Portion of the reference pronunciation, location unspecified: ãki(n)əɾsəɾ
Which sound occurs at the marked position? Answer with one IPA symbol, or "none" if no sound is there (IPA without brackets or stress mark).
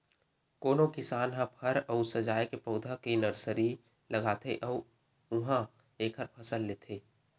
n